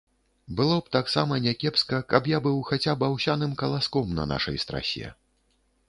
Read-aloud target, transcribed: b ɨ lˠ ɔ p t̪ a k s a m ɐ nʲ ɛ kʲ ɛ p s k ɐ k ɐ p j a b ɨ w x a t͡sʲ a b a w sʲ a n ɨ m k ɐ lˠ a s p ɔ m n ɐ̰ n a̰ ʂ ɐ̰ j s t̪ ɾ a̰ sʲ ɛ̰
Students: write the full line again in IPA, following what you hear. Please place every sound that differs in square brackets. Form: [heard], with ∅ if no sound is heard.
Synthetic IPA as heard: b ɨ lˠ ɔ p t̪ a k s a m ɐ nʲ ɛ kʲ ɛ p s k ɐ k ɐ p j a b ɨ w x a t͡sʲ a b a w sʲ a n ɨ m k ɐ lˠ a s [k] ɔ m n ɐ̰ n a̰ ʂ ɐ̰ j s t̪ ɾ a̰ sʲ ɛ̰